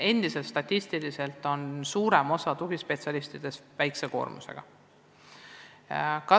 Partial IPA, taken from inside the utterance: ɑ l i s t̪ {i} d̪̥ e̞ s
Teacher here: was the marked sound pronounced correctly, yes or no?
yes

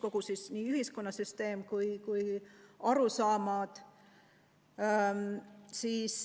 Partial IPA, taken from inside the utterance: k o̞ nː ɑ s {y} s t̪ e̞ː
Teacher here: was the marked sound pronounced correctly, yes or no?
yes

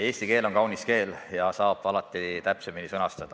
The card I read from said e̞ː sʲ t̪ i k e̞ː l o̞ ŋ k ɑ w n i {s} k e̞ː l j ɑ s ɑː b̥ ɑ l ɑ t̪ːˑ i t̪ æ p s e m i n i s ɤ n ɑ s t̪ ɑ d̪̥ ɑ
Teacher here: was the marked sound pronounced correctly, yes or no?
yes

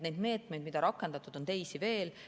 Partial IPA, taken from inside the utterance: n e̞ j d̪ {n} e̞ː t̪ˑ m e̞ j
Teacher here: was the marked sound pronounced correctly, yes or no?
no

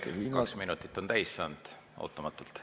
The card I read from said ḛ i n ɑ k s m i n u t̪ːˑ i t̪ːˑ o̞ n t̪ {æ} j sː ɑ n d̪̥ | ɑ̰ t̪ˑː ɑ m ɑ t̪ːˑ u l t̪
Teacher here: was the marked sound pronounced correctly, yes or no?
yes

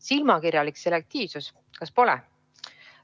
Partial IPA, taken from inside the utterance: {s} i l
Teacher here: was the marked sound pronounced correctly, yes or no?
yes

